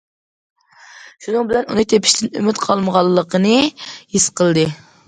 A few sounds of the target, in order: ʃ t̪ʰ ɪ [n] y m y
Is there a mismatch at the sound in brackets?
no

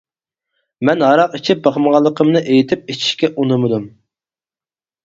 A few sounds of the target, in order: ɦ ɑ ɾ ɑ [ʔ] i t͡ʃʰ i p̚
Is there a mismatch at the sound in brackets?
yes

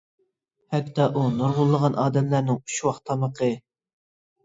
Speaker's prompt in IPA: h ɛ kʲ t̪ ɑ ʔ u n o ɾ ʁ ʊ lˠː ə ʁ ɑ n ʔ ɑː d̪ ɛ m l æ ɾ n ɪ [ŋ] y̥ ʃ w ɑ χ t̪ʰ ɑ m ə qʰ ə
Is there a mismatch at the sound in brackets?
no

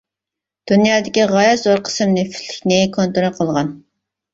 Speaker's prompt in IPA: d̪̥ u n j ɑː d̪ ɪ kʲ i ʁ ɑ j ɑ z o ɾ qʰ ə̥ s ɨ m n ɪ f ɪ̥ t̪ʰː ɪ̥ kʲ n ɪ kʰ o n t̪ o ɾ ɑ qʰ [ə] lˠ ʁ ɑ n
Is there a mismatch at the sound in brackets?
no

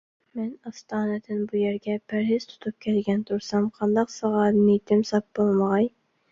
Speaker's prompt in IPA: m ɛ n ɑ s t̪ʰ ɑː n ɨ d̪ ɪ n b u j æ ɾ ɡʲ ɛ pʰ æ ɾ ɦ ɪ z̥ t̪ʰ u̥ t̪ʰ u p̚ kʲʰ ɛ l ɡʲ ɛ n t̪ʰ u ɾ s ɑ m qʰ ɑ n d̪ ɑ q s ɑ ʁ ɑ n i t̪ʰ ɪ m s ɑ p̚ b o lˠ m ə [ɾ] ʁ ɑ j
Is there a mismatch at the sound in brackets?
yes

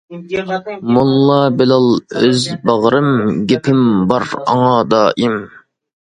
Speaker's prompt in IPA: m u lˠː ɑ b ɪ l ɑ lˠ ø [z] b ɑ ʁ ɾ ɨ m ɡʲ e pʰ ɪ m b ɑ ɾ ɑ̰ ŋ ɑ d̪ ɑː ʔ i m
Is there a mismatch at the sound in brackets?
no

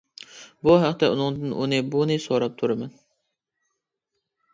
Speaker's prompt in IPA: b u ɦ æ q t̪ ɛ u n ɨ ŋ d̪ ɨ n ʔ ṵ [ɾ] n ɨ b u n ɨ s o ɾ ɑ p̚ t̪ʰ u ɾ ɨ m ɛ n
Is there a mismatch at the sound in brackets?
yes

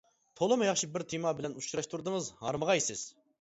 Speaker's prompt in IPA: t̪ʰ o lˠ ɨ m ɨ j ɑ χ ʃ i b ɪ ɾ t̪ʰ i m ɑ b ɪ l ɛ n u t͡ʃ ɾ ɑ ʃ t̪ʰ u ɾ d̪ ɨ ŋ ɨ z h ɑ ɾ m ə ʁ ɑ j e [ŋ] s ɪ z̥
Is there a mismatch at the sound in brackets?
yes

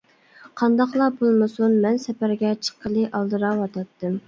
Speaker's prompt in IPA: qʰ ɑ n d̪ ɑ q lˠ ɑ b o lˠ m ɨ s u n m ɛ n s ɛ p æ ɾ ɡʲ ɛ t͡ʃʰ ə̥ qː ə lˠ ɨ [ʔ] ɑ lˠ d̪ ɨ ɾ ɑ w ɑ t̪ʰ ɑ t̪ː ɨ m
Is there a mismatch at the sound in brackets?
no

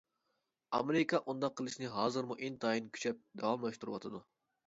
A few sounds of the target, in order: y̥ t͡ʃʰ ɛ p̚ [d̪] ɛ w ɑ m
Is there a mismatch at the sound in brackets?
no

